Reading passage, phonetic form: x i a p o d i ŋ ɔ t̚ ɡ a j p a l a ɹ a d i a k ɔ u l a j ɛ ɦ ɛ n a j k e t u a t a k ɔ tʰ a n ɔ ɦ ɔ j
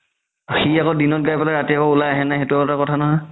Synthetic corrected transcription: x i a k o d i n ɔ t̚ ɡ a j p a l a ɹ a t i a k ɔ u l a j a ɦ ɛ n a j x e t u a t a k ɔ tʰ a n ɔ ɦ ɔ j